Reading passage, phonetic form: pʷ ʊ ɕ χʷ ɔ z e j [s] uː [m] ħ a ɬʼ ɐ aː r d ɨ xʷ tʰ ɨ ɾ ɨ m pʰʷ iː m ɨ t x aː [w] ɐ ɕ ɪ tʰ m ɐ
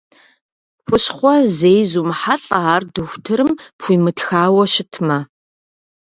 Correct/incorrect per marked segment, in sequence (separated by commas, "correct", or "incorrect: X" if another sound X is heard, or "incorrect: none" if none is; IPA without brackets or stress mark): incorrect: z, correct, correct